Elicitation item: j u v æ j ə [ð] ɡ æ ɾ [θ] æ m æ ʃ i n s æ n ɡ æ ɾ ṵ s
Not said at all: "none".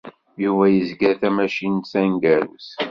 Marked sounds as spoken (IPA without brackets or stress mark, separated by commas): z, θ